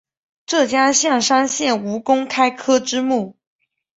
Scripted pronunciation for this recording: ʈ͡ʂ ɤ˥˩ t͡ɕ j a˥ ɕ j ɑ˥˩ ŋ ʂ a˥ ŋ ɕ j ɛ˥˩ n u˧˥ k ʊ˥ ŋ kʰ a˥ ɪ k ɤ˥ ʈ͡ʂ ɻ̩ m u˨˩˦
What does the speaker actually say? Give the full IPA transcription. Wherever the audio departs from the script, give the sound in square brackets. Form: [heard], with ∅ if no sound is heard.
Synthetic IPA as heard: ʈ͡ʂ ɤ˥˩ t͡ɕ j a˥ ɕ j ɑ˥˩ ŋ ʂ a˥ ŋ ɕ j ɛ˥˩ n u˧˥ k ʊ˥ ŋ kʰ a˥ ɪ [kʰ] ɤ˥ ʈ͡ʂ ɻ̩ m [u˥˩]